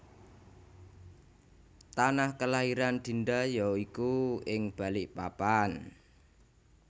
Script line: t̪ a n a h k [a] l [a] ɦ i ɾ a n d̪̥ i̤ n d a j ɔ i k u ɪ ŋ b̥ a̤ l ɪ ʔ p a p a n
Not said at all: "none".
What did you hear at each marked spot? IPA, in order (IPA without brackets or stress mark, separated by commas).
ə, a